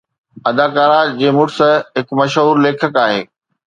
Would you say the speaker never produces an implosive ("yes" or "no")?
yes